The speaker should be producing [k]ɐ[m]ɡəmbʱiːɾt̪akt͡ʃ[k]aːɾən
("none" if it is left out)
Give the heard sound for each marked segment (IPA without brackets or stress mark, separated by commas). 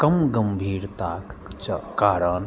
k, m, k